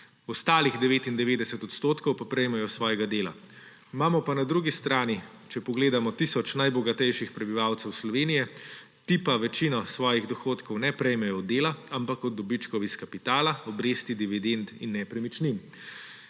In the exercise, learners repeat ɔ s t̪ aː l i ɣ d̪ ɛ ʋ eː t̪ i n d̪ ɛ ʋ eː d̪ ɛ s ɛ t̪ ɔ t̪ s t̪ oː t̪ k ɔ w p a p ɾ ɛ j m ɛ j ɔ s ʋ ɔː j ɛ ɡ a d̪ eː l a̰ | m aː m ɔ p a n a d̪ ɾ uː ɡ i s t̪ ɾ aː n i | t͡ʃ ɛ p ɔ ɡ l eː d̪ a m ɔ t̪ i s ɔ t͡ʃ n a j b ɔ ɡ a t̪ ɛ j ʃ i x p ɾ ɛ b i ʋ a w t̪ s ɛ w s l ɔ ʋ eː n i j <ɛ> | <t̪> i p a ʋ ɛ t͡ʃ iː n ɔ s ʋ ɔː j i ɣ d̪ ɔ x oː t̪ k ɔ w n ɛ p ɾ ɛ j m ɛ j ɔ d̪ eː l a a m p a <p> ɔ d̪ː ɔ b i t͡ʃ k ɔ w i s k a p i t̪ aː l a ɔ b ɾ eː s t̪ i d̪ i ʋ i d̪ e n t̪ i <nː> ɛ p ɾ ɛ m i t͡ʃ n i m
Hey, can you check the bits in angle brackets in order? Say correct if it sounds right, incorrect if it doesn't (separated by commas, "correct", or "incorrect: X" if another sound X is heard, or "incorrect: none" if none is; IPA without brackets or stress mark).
correct, correct, incorrect: k, correct